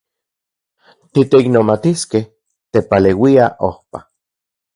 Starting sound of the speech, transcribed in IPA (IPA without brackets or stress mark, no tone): t̪